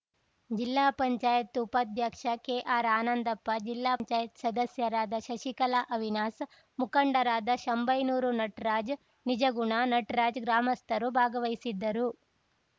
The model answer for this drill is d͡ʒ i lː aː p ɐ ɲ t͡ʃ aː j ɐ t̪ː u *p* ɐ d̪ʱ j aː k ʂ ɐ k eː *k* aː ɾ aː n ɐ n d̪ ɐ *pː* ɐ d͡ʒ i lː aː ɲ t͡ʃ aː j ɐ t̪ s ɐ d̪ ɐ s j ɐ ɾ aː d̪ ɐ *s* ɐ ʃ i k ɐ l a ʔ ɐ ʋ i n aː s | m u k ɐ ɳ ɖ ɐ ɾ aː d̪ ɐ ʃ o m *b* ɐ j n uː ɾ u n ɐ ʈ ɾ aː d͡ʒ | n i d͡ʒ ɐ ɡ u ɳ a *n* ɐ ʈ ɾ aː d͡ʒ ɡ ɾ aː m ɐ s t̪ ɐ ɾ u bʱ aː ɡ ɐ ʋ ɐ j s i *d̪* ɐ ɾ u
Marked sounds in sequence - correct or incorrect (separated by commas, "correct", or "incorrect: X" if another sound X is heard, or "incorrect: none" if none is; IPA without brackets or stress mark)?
correct, incorrect: ʔ, correct, incorrect: ʃ, correct, correct, incorrect: d̪ː